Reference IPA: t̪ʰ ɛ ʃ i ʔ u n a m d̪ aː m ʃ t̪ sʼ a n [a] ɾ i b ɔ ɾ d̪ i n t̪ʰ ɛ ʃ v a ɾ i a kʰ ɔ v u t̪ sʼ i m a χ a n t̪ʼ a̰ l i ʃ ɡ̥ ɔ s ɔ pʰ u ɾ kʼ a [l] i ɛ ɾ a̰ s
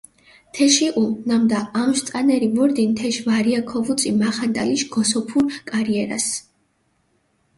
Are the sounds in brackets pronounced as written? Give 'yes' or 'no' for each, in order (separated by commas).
no, no